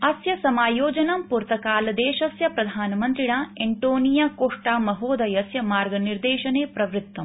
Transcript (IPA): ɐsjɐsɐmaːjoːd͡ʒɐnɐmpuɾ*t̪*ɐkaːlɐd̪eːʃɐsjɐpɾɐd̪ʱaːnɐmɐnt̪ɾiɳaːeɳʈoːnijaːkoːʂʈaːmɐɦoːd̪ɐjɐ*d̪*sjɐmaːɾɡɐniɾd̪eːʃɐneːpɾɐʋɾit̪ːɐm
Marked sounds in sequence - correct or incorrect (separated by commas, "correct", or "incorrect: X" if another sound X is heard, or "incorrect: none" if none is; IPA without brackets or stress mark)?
correct, incorrect: none